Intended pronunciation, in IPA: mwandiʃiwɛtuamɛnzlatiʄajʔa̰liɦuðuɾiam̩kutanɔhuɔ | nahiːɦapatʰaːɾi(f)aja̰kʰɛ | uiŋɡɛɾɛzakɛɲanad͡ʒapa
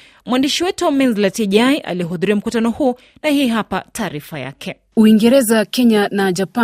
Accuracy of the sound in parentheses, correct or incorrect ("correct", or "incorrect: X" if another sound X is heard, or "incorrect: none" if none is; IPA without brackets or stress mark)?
correct